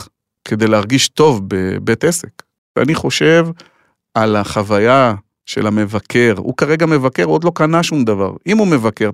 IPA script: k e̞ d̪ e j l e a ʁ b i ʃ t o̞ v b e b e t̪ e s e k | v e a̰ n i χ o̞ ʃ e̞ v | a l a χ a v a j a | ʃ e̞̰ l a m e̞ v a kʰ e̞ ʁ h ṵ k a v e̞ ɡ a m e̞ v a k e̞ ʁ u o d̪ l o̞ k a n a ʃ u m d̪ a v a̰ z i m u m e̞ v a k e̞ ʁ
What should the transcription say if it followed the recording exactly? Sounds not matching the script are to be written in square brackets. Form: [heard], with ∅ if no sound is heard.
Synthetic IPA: k e̞ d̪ e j l e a ʁ [ɡ] i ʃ t o̞ v b e b e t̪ e s e k | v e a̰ n i χ o̞ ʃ e̞ v | a l a χ a v a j a | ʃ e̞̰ l a m e̞ v a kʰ e̞ ʁ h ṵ k a [ʁ] e̞ ɡ a m e̞ v a k e̞ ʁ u o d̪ l o̞ k a n a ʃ u m d̪ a v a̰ [ʁ] i m u m e̞ v a k e̞ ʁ